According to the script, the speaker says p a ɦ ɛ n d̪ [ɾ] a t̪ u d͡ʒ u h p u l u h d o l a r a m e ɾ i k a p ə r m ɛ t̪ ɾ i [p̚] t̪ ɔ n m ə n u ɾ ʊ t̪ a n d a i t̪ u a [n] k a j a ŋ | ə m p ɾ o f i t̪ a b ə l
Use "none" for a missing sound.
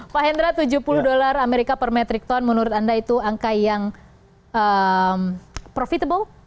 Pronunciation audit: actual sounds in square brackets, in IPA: ɾ, k̚, ŋ

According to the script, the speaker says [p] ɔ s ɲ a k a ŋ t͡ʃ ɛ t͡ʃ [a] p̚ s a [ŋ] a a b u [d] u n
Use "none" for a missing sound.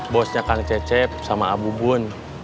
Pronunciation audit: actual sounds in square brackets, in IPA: b, ɛ, m, b

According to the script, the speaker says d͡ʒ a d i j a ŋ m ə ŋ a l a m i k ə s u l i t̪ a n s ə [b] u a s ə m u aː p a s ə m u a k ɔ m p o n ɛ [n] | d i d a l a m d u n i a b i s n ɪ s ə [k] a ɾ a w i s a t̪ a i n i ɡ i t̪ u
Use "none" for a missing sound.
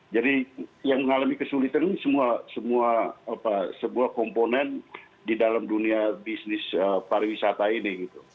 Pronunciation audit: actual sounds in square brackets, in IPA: m, n, p

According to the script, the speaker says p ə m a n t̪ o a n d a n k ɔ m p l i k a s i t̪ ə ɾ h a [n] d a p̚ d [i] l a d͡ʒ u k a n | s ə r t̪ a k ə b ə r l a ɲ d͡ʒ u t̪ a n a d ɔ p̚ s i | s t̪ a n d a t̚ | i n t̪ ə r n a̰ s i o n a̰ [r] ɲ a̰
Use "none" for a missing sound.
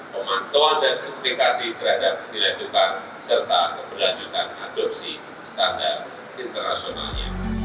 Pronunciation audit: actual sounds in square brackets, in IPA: none, i, l

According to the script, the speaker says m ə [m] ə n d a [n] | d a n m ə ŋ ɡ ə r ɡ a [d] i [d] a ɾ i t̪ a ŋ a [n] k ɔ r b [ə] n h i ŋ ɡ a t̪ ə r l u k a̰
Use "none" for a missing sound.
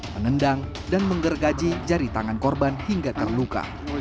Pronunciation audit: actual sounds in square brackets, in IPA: ŋ, ŋ, d͡ʒ, d͡ʒ, n, a

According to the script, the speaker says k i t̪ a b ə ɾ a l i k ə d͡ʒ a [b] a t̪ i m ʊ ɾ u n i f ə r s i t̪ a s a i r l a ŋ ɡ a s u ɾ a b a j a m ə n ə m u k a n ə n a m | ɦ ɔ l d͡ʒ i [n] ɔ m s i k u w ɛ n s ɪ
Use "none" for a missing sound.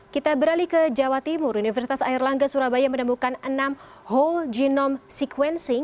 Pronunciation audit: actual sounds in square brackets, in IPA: w, n

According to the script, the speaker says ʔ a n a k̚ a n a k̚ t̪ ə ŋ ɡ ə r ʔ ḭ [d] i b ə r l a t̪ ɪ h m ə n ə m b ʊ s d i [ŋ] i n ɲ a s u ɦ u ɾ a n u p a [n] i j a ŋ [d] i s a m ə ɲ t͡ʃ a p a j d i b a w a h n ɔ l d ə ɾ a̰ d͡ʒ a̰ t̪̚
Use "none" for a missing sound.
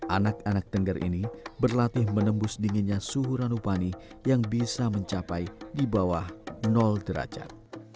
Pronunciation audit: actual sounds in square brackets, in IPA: n, ŋ, n, b

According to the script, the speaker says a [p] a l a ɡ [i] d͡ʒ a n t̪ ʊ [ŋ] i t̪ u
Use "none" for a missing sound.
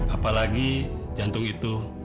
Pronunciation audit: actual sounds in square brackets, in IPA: p, i, ŋ

